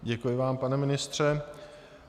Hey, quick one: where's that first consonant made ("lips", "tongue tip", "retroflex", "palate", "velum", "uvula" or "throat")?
palate